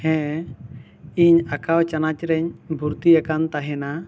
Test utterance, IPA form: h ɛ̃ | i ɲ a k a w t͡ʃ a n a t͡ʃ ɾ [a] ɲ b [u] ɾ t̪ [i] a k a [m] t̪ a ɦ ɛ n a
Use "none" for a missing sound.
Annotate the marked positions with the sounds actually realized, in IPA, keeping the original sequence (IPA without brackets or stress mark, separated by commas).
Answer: ɛ, u, i, n